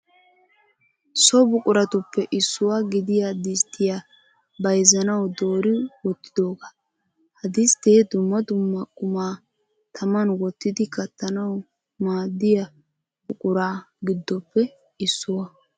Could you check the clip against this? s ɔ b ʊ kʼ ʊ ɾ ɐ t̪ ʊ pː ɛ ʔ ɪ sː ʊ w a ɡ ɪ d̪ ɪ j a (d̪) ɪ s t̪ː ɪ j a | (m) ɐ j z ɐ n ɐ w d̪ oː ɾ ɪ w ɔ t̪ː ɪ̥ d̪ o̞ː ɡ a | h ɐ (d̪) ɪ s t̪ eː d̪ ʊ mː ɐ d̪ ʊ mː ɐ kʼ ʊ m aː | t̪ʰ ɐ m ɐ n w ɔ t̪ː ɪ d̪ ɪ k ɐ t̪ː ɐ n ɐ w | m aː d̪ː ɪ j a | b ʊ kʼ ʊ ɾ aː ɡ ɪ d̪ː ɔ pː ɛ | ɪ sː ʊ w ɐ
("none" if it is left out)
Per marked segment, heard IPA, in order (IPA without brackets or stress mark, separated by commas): d̪, b, d̪